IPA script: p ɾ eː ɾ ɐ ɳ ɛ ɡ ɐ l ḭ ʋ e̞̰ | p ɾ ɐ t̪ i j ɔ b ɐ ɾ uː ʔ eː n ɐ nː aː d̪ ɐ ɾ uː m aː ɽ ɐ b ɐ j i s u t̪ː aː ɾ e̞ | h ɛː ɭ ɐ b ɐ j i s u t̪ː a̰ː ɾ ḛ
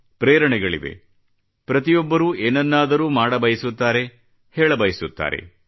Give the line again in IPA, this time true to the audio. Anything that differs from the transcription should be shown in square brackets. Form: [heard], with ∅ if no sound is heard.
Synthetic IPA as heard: p ɾ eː ɾ ɐ ɳ ɛ ɡ ɐ [ɭ] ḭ ʋ e̞̰ | p ɾ ɐ t̪ i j ɔ [bː] ɐ ɾ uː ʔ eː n ɐ nː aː d̪ ɐ ɾ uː m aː ɽ ɐ b ɐ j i s u t̪ː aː ɾ e̞ | h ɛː ɭ ɐ b ɐ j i s u t̪ː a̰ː ɾ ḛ